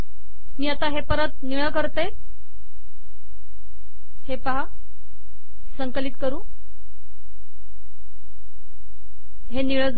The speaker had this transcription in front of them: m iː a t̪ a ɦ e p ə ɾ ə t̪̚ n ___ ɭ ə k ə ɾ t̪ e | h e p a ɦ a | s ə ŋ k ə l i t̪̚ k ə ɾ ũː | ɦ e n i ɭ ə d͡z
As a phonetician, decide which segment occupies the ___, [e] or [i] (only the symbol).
i